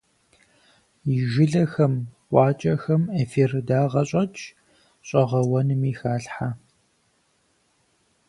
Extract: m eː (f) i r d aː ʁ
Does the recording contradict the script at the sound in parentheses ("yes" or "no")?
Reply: no